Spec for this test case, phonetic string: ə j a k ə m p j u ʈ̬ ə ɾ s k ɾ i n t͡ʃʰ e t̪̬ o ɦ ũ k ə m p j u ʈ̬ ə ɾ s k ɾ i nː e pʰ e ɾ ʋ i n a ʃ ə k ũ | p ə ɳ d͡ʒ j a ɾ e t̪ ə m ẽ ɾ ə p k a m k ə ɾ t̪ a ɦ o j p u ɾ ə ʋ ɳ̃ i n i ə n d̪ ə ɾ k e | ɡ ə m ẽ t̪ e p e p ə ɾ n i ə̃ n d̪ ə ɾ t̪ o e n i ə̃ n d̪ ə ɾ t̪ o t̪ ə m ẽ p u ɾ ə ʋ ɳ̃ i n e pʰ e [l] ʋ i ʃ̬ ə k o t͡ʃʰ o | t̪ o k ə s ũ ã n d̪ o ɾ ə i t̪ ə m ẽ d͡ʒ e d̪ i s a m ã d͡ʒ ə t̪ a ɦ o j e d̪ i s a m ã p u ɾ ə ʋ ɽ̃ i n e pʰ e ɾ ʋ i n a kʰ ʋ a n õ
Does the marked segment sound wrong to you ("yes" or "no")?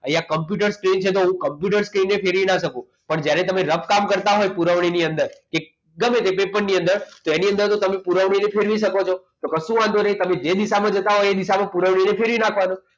yes